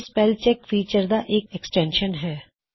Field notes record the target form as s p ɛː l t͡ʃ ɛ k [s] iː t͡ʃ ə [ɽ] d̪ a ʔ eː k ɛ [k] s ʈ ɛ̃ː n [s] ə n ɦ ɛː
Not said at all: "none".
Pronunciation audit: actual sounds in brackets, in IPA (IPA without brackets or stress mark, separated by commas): f, ɾ, k, ʃ